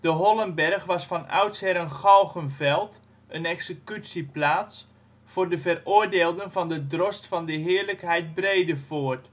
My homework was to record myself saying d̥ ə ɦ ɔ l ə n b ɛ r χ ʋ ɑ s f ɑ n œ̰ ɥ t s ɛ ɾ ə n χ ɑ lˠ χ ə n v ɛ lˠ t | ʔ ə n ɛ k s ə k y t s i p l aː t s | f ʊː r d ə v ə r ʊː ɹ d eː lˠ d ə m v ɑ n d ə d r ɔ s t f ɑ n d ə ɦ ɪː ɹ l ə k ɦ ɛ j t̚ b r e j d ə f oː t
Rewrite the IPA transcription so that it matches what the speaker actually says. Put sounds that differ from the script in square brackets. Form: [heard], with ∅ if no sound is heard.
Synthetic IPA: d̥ ə ɦ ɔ l ə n b ɛ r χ ʋ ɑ s f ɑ n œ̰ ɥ t s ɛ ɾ ə n χ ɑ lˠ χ ə n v ɛ lˠ t | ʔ ə n ɛ k s ə k y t s i p l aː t s | f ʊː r d ə v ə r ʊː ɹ d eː lˠ d ə [n] v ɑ n d ə d r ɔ s t f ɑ n d ə ɦ ɪː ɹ l ə k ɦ ɛ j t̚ b r e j d ə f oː t